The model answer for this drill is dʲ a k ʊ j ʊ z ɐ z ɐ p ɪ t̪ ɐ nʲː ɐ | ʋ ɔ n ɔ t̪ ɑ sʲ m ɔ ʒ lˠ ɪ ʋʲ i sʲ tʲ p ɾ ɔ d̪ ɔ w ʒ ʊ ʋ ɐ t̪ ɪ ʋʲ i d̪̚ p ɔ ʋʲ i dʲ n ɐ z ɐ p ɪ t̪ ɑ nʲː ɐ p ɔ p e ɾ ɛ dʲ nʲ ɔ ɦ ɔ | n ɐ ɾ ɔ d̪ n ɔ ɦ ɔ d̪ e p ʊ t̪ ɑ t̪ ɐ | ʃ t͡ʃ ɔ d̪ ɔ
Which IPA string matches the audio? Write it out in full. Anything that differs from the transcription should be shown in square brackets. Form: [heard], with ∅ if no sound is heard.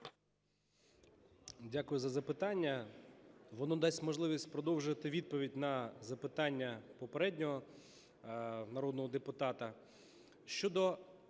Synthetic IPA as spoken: dʲ a k ʊ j ʊ z ɐ z ɐ p ɪ t̪ [ɑ] nʲː ɐ | ʋ ɔ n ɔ [d̪] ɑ sʲ m ɔ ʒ lˠ ɪ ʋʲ i sʲ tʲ p ɾ ɔ d̪ ɔ w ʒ ʊ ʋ ɐ t̪ ɪ ʋʲ i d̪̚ p ɔ ʋʲ i dʲ n ɐ z ɐ p ɪ t̪ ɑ nʲː ɐ p ɔ p e ɾ ɛ dʲ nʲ ɔ ɦ ɔ | n ɐ ɾ ɔ d̪ n ɔ ɦ ɔ d̪ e p ʊ t̪ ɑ t̪ ɐ | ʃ t͡ʃ ɔ d̪ ɔ

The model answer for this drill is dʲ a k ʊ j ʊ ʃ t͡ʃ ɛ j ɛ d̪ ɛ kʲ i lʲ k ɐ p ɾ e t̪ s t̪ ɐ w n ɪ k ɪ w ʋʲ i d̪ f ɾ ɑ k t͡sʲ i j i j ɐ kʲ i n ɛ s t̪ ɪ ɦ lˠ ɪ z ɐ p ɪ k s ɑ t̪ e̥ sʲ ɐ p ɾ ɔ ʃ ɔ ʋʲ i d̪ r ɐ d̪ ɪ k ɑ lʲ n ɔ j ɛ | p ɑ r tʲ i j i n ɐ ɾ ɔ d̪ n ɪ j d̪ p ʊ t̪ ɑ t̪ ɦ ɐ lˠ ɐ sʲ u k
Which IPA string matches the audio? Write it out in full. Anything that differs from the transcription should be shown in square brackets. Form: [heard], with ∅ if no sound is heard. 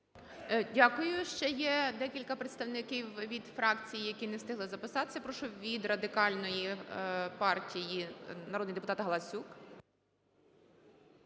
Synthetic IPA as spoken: dʲ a k ʊ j ʊ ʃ t͡ʃ ɛ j ɛ d̪ ɛ kʲ i lʲ k ɐ p ɾ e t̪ s t̪ ɐ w n ɪ k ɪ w ʋʲ i d̪ f ɾ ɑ k t͡sʲ i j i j ɐ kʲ i n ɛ s t̪ ɪ ɦ lˠ ɪ z ɐ p ɪ [∅] s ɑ t̪ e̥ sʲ ɐ p ɾ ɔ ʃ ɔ ʋʲ i d̪ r ɐ d̪ ɪ k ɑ lʲ n ɔ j [i] | p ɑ r tʲ i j i n ɐ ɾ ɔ d̪ n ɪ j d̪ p ʊ t̪ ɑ t̪ ɦ ɐ lˠ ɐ sʲ u k

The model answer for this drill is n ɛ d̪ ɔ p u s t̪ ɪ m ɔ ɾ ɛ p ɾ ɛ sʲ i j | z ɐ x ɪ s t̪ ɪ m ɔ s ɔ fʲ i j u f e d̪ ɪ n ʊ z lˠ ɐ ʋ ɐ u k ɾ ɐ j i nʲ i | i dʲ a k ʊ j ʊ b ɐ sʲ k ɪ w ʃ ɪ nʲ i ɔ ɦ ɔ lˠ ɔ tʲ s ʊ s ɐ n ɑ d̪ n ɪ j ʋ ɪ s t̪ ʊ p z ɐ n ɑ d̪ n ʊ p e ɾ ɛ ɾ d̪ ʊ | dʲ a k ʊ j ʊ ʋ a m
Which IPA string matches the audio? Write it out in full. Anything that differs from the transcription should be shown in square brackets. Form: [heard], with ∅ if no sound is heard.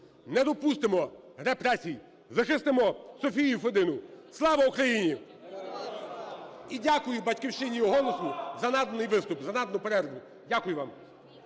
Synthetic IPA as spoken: n ɛ d̪ ɔ p u s t̪ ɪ m ɔ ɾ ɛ p ɾ ɛ sʲ i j | z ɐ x ɪ s t̪ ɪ m ɔ s ɔ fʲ i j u f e d̪ ɪ n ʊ [s] lˠ [ɑ] ʋ ɐ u k ɾ ɐ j i nʲ i | i dʲ a k ʊ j ʊ b ɐ [tʲ] k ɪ w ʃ ɪ nʲ i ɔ ɦ ɔ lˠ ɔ [∅] s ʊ [z] ɐ n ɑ d̪ n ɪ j ʋ ɪ s t̪ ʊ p z ɐ n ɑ d̪ n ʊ p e ɾ ɛ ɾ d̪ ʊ | dʲ a k ʊ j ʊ ʋ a m

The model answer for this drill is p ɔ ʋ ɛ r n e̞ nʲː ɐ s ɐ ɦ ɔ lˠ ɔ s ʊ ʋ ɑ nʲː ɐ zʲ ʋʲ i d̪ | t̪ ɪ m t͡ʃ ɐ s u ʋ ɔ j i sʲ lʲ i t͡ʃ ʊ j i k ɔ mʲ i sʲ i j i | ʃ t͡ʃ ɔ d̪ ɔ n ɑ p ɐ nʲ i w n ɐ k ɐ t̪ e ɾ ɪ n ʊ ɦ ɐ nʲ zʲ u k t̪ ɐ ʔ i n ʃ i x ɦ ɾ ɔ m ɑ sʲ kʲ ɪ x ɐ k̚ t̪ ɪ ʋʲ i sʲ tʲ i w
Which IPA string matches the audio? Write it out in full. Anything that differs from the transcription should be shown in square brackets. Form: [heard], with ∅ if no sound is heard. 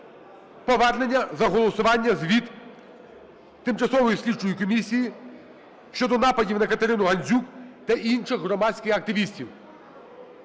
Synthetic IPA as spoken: p ɔ ʋ ɛ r n e̞ nʲː ɐ [z] ɐ ɦ ɔ lˠ ɔ s ʊ ʋ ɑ nʲː ɐ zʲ ʋʲ i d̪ | t̪ ɪ m t͡ʃ ɐ s [ɔ] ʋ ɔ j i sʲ lʲ i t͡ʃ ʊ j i k ɔ mʲ i sʲ i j i | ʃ t͡ʃ ɔ d̪ ɔ n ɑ p ɐ [dʲ] i w n ɐ k ɐ t̪ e ɾ ɪ n ʊ ɦ ɐ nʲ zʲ u k t̪ ɐ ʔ i n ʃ [ɪ] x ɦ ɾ ɔ m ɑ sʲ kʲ ɪ x ɐ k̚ t̪ ɪ ʋʲ i sʲ tʲ i w

